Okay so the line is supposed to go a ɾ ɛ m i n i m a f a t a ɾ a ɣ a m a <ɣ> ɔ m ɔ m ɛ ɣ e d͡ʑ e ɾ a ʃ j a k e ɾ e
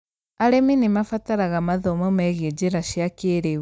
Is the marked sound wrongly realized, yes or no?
yes